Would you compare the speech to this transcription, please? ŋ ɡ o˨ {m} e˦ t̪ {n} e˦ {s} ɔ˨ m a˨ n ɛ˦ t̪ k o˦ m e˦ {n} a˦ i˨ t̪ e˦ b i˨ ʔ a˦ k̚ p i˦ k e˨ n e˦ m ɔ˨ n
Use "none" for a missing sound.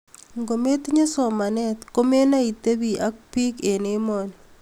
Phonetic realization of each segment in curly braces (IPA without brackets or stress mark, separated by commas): m, ɲ, s, n